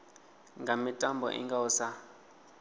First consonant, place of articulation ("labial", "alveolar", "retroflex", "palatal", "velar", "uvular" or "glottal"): velar